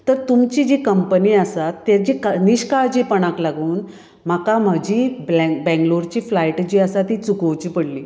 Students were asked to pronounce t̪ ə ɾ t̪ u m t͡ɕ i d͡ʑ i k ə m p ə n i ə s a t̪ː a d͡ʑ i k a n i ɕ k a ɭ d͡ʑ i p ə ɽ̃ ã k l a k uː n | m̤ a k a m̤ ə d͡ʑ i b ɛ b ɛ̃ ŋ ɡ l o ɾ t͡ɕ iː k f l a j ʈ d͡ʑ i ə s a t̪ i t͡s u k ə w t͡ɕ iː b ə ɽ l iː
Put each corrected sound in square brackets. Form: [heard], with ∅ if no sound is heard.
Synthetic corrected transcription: t̪ ə ɾ t̪ u m t͡ɕ i d͡ʑ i k ə m p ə n i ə s a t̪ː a d͡ʑ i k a n i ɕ k a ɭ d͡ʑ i p ə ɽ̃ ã k l a [ɡ] uː n | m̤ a k a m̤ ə d͡ʑ i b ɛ b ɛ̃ ŋ ɡ l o ɾ t͡ɕ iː [∅] f l a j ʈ d͡ʑ i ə s a t̪ i t͡s u k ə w t͡ɕ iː [p] ə ɽ l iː

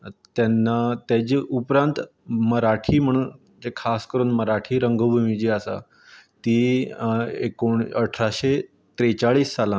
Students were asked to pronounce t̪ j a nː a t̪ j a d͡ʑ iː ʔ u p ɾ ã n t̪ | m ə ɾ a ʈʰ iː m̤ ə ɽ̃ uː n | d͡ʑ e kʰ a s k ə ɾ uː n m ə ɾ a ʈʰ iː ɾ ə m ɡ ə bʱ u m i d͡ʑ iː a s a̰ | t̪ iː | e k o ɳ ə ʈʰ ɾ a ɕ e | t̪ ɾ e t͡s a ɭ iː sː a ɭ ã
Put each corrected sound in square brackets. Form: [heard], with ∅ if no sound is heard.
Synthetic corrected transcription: t̪ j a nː a t̪ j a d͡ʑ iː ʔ u p ɾ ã n t̪ | m ə ɾ a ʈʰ iː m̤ ə ɽ̃ uː n | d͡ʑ e kʰ a s k ə ɾ uː n m ə ɾ a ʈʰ iː ɾ ə [ŋ] ɡ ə bʱ u m i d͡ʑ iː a s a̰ | t̪ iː | e k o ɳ ə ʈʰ ɾ a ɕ e | t̪ ɾ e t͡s a ɭ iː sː a [l] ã

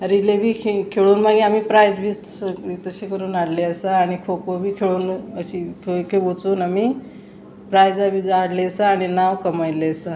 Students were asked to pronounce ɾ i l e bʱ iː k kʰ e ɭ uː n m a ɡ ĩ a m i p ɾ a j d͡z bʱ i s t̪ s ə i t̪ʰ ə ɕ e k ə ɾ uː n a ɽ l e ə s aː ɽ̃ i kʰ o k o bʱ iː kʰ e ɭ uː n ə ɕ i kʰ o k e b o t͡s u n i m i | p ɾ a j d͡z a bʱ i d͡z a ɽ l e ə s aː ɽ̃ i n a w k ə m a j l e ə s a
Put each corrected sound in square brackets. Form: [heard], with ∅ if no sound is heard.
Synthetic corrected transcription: ɾ i l e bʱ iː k kʰ e ɭ uː n m a ɡ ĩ a m i p ɾ a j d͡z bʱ i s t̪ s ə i [t̪] ə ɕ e k ə ɾ uː n a ɽ l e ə s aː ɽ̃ i kʰ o k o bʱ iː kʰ e ɭ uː n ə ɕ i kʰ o k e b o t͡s [uː] n [a] m i | p ɾ a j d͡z a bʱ i d͡z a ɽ l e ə s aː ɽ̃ i n a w k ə m a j l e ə s a

